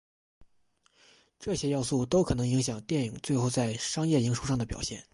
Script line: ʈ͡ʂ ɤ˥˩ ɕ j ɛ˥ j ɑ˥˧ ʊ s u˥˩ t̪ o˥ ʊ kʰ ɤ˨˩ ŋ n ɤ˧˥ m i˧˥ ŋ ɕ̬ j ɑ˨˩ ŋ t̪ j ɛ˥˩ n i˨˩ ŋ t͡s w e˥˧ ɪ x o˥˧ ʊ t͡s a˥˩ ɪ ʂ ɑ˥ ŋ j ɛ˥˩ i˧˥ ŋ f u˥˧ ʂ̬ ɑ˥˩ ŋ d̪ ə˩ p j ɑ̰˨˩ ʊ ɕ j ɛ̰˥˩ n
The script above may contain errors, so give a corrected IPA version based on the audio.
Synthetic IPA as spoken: ʈ͡ʂ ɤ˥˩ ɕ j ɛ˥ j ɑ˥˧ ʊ s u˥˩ t̪ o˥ ʊ kʰ ɤ˨˩ n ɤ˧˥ ŋ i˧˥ ŋ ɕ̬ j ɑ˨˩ ŋ t̪ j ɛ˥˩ n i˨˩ ŋ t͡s w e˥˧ ɪ x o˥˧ ʊ t͡s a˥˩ ɪ ʂ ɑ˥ ŋ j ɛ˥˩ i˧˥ ŋ ʂ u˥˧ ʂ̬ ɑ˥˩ ŋ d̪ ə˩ p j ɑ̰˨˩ ʊ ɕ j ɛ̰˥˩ n

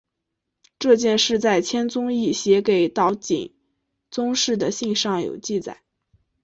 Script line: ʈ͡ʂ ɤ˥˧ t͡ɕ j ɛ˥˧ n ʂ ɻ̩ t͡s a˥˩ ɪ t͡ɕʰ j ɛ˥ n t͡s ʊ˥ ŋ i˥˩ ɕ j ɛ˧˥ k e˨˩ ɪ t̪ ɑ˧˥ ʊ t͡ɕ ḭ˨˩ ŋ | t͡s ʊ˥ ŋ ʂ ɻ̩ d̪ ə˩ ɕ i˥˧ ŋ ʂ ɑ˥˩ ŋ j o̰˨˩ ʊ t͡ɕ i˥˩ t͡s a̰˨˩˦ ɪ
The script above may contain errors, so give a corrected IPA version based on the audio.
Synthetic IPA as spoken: ʈ͡ʂ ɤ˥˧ t͡ɕ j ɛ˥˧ n ʂ ɻ̩ t͡s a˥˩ ɪ t͡ɕʰ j ɛ˥ n t͡s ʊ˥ ŋ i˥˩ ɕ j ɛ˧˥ k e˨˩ ɪ t̪ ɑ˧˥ ʊ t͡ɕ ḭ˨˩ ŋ | t͡s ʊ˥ ŋ ʂ ɻ̩ d̪ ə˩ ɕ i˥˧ ŋ ʂ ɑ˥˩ ŋ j o̰˨˩ ʊ t͡ɕ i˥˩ t͡s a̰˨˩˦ ɪ

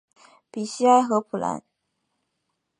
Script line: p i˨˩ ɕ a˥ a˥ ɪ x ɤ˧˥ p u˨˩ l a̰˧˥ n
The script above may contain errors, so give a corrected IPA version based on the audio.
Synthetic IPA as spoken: p i˨˩ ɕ i˥ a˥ ɪ x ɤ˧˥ pʰ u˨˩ l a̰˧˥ n

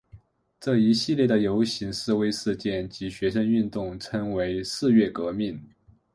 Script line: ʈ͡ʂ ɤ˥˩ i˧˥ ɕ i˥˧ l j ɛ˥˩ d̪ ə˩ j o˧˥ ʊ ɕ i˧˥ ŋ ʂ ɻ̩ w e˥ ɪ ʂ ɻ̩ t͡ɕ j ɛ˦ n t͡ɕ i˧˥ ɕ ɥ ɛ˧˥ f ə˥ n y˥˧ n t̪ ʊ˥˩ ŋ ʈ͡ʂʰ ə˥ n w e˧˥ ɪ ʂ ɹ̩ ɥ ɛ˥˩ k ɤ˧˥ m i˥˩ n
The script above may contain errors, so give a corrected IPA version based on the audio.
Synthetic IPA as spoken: ʈ͡ʂ ɤ˥˩ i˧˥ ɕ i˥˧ l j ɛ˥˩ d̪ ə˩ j o˧˥ ʊ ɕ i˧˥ ŋ ʂ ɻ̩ w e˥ ɪ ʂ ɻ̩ t͡ɕ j ɛ˥˩ n t͡ɕ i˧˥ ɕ ɥ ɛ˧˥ ʂ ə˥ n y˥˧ n t̪ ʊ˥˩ ŋ ʈ͡ʂʰ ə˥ ŋ w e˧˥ ɪ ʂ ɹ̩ ɥ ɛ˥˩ k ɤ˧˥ m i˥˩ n

